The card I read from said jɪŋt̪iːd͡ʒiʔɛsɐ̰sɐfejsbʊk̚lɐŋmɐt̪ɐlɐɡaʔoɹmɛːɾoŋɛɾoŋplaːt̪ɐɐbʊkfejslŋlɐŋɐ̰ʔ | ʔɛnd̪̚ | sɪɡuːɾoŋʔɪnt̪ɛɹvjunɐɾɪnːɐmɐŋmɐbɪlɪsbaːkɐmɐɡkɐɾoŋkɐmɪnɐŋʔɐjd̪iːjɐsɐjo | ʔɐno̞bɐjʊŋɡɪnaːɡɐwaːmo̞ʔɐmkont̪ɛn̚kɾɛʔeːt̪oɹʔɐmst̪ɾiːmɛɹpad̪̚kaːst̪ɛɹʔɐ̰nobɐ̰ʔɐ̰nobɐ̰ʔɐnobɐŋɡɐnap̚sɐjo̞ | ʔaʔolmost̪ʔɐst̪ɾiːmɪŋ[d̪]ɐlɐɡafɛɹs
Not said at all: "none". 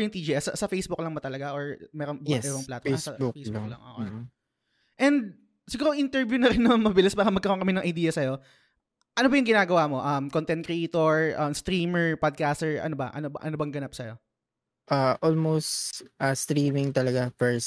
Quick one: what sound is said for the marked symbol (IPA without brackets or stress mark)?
t̪